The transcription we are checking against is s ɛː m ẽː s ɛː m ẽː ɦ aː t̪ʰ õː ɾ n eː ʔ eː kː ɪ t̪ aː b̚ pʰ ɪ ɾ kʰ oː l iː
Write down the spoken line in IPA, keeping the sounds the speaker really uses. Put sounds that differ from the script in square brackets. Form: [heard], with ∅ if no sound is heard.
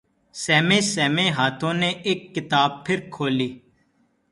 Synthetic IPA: s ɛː m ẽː s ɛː m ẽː ɦ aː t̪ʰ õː [∅] n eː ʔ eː kː ɪ t̪ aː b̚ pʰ ɪ ɾ kʰ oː l iː